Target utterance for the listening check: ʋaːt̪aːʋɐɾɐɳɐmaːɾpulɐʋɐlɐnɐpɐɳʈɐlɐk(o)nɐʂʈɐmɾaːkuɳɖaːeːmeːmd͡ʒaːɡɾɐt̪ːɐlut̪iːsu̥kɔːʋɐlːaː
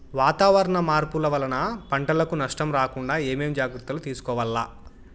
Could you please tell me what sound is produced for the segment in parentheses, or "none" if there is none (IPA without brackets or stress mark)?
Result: u